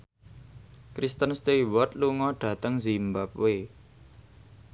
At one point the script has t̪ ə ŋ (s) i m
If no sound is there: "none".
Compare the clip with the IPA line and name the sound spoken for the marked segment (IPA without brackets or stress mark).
z